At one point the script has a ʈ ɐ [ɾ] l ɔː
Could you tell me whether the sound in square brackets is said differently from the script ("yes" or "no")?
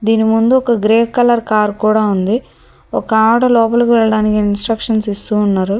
yes